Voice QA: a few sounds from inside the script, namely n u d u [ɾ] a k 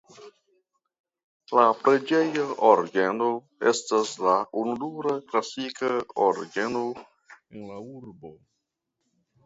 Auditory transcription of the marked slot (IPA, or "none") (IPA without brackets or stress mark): ɾ